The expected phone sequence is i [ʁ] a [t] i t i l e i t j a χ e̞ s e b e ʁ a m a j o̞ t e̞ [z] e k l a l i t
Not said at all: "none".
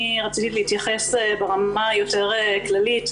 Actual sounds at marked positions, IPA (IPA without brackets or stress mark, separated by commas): ʁ, t͡s, ʁ